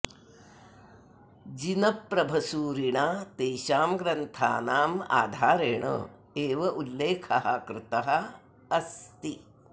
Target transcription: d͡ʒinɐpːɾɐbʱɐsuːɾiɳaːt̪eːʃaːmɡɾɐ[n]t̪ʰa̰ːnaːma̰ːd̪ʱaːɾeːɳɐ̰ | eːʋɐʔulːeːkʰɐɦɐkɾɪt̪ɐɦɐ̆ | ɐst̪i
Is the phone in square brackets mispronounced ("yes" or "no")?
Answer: no